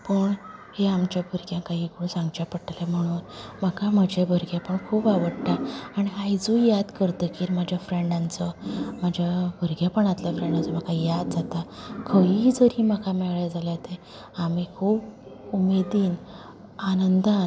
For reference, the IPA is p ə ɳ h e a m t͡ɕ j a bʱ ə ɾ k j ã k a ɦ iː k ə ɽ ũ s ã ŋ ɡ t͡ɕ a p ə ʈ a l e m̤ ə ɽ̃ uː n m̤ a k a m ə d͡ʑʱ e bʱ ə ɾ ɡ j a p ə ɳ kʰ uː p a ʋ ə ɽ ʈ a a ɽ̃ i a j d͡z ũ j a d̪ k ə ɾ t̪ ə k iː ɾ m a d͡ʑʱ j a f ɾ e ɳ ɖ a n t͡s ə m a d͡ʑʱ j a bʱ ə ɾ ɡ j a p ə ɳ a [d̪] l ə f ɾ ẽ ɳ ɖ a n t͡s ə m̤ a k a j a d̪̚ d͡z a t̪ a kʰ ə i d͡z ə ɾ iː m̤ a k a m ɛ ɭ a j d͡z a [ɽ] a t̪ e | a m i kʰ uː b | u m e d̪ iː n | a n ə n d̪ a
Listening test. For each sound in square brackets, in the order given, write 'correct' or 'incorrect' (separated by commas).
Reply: incorrect, incorrect